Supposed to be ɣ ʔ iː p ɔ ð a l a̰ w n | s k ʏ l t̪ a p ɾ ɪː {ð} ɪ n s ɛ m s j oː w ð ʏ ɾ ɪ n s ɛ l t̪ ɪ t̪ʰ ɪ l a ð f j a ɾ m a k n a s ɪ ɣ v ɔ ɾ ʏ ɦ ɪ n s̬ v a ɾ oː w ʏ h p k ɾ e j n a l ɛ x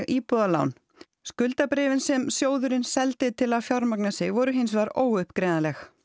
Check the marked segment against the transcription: incorrect: v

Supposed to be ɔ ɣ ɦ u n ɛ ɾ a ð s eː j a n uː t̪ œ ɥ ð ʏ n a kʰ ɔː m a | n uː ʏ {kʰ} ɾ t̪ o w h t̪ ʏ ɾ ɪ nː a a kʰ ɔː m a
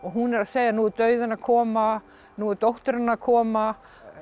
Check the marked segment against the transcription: incorrect: none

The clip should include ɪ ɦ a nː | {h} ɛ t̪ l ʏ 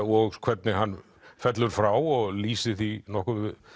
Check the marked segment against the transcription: incorrect: f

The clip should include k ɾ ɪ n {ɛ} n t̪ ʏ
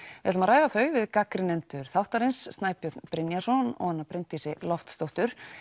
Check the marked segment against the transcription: correct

